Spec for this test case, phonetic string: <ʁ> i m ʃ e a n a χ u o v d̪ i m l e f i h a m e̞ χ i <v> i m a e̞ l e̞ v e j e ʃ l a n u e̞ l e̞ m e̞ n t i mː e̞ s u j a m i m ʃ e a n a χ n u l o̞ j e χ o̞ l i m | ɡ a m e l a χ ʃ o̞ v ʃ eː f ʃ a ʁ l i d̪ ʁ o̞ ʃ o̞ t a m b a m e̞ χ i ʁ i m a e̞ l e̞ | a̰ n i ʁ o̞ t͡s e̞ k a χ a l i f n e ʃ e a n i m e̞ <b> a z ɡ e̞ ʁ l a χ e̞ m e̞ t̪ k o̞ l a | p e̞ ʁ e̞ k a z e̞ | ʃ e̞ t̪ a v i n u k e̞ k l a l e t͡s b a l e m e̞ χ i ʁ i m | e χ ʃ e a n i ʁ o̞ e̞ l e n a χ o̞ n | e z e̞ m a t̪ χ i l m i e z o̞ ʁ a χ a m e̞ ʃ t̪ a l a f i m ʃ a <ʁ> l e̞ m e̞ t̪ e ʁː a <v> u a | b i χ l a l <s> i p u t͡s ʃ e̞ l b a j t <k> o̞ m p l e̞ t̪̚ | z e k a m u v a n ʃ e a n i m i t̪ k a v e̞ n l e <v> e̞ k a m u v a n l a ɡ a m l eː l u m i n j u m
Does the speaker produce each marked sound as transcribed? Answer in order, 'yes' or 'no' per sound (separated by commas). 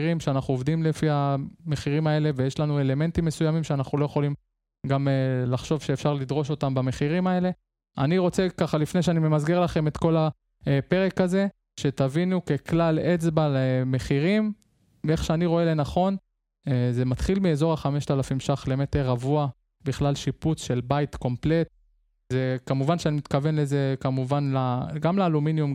yes, no, no, no, yes, no, yes, no